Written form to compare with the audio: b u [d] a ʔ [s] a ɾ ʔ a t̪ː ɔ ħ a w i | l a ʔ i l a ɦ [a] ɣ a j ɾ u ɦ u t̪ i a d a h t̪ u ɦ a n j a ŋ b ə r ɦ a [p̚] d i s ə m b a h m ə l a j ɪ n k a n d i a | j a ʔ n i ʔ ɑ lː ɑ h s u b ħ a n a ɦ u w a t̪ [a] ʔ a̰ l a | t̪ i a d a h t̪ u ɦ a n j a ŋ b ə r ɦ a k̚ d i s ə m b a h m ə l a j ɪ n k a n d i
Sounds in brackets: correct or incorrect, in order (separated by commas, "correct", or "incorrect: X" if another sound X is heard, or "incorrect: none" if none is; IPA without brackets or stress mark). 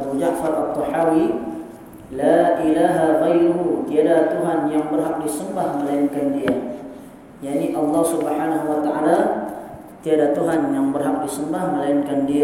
incorrect: d͡ʒ, incorrect: f, correct, incorrect: k̚, correct